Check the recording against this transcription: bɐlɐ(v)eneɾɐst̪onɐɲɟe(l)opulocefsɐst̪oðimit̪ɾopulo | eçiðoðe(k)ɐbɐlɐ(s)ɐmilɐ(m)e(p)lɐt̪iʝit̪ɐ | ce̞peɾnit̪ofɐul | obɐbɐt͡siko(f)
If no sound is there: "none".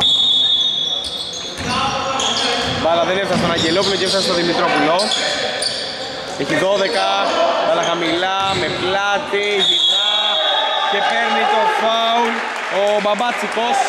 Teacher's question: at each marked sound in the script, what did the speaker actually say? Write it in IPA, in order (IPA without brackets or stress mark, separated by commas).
ð, l, k, x, m, p, s